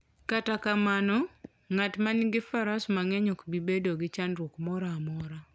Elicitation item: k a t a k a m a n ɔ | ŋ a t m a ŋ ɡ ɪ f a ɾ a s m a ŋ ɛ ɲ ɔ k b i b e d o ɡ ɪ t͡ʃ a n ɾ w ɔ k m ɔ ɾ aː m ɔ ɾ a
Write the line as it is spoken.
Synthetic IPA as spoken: k a t a k a m a n ɔ | ŋ a t m a n ɡ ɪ f a ɾ a s m a ŋ ɛ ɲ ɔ k b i b e d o ɡ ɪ t͡ʃ a n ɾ w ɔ k m ɔ ɾ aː m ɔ ɾ a

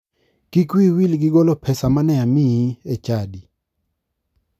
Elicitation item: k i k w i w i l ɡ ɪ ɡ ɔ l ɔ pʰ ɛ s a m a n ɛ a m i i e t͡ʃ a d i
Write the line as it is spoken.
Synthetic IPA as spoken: k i k w i w i l ɡ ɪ ɡ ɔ l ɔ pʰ ɛ s a m a n ɛ a m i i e t͡ʃ a d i

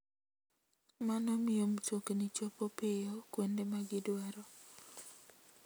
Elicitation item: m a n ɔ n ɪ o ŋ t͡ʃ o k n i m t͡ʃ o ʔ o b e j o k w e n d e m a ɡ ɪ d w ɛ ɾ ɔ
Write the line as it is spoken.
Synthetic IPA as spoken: m a n ɔ m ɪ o m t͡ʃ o k n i t͡ʃ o p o p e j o k w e n d e m a ɡ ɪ d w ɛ ɾ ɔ

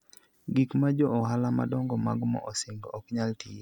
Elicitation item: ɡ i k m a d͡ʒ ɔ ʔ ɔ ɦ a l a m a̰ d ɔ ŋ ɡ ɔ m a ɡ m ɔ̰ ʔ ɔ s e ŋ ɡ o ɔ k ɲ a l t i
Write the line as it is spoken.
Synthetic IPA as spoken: ɡ i k m a d͡ʒ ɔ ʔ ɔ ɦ a l a m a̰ d ɔ ŋ ɡ ɔ m a ɡ m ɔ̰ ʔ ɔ s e ŋ ɡ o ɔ k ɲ a l t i

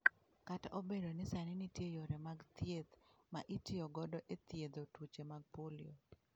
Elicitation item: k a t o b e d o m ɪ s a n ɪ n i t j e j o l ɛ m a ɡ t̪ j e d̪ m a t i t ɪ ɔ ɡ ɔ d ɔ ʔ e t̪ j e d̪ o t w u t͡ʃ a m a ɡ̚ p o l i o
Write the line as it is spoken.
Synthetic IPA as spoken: k a t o b e d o n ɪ s a n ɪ n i t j e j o ɾ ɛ m a ɡ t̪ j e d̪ m a ʔ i t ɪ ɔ ɡ ɔ d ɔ ʔ e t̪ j e d̪ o t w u t͡ʃ e m a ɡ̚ p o l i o

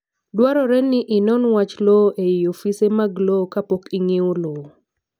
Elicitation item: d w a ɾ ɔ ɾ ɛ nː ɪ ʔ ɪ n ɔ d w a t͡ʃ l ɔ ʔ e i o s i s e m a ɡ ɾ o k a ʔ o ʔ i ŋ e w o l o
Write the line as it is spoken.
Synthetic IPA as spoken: d w a ɾ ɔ ɾ ɛ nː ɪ ʔ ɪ n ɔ n w a t͡ʃ l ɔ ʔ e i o f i s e m a ɡ l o k a p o k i ŋ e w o l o

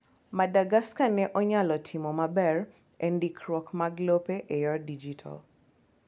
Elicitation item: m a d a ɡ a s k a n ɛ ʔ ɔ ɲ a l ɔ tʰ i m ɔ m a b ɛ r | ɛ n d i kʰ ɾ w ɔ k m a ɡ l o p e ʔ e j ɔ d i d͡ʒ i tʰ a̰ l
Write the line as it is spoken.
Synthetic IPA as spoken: m a d a ɡ a s k a n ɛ ʔ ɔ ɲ a l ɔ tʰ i m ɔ m a b ɛ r | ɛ n d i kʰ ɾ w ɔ k m a ɡ l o p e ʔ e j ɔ d i d͡ʒ i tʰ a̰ l

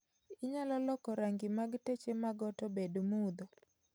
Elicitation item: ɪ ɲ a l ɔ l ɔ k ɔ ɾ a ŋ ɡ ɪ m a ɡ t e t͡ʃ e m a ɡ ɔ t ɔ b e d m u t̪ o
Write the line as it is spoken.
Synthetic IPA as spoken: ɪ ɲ a l ɔ l ɔ k ɔ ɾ a ŋ ɡ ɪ m a ɡ t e t͡ʃ e m a ɡ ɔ t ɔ b e d m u d̪ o

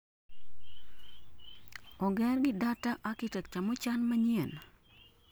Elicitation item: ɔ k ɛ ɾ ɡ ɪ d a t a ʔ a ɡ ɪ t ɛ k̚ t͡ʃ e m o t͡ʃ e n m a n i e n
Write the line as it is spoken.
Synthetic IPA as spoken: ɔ ɡ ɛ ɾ ɡ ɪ d a t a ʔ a k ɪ t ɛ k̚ t͡ʃ a m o t͡ʃ a n m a ɲ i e n

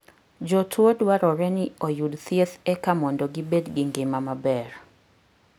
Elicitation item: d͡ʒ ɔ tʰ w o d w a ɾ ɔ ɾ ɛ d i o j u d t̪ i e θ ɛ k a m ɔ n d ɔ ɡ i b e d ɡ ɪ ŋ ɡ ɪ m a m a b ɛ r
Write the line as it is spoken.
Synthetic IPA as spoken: d͡ʒ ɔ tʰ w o d w a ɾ ɔ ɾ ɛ n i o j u d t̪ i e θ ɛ k a m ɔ n d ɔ ɡ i b e d ɡ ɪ ŋ ɡ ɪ m a m a b ɛ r

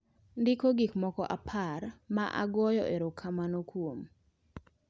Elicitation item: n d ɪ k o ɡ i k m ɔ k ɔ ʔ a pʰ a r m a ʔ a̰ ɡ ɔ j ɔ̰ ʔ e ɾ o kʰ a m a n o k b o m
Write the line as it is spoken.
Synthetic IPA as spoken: n d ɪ k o ɡ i k m ɔ k ɔ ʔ a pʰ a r m a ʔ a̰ ɡ ɔ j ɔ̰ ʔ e ɾ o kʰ a m a n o k w o m

